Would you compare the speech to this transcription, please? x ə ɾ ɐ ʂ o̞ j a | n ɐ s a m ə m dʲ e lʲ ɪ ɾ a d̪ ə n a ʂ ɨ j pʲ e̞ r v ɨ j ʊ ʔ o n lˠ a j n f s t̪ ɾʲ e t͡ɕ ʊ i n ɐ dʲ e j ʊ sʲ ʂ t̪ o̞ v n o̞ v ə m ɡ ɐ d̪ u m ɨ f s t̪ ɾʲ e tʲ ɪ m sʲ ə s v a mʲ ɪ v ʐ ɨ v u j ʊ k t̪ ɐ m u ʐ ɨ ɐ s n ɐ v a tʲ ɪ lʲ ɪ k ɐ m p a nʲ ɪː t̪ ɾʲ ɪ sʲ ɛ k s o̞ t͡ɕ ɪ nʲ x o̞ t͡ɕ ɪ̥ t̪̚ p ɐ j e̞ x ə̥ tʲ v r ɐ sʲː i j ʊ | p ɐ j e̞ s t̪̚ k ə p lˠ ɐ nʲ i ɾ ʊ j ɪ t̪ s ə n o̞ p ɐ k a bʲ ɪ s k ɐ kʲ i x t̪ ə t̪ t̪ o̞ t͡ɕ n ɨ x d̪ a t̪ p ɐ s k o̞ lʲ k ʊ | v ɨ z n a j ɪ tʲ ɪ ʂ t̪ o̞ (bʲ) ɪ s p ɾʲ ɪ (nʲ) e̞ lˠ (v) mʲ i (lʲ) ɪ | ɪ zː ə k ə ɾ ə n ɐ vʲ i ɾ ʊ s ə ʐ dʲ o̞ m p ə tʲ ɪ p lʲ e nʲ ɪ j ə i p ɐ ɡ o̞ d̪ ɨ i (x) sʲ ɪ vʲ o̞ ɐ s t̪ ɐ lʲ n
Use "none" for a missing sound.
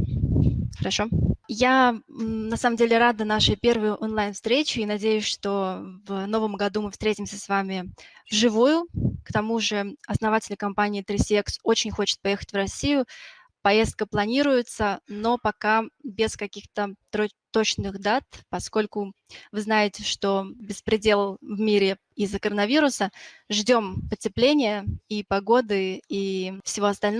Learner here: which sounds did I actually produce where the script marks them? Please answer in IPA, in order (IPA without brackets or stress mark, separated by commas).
bʲ, dʲ, v, ɾʲ, f